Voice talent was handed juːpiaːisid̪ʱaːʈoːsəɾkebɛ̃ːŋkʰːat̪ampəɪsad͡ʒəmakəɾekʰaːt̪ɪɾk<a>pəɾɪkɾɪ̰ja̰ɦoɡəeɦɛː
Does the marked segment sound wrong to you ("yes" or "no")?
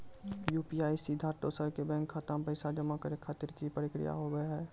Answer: yes